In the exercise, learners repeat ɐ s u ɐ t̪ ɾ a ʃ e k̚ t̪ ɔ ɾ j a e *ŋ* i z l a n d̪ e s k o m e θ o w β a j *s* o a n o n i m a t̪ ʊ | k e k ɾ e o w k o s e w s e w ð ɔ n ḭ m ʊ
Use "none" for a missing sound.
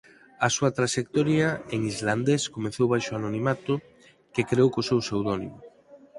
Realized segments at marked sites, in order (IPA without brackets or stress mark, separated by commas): ŋ, ʃ